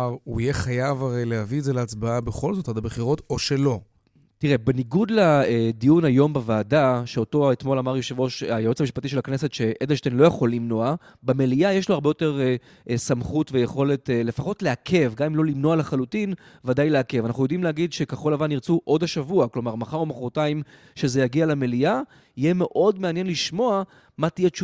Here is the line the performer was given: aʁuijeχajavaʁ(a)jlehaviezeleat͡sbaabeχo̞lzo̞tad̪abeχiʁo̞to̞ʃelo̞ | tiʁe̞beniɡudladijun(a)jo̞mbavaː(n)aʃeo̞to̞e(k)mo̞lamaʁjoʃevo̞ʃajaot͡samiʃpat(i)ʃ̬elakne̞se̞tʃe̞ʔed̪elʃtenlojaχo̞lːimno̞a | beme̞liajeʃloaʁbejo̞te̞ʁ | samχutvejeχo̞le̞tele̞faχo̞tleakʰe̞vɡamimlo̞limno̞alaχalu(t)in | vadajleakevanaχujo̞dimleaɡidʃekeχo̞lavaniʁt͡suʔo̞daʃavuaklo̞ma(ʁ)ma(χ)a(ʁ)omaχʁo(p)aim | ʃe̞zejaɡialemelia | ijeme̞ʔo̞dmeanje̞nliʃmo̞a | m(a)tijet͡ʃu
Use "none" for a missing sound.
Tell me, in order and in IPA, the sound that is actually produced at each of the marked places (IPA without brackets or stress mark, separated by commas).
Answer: e, a, d, t, i, t, ʁ, χ, ʁ, t, a